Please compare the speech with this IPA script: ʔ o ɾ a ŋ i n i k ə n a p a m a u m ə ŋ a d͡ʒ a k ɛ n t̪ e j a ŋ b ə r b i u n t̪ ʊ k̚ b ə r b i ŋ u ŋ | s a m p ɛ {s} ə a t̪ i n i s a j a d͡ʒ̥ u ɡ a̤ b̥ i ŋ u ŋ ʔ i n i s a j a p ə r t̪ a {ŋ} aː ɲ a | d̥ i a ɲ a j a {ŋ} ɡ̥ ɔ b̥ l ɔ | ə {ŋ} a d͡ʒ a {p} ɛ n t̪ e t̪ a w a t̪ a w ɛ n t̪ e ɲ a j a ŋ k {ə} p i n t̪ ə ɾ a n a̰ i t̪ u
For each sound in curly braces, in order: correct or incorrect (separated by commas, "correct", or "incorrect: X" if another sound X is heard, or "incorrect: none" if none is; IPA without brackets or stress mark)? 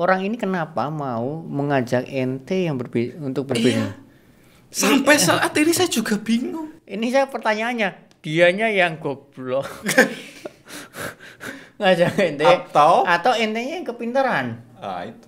correct, incorrect: ɲ, correct, correct, incorrect: k, correct